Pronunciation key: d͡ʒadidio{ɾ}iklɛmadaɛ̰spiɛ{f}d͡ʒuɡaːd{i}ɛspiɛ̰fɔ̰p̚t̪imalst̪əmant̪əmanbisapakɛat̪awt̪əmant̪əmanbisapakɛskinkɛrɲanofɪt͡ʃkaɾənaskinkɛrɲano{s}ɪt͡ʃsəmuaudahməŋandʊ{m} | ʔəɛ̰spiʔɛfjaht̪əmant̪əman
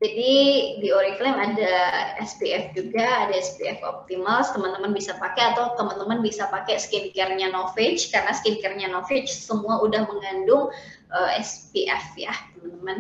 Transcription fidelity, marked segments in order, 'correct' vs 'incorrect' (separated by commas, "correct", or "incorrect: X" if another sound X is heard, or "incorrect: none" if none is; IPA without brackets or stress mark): correct, correct, incorrect: a, incorrect: f, incorrect: ŋ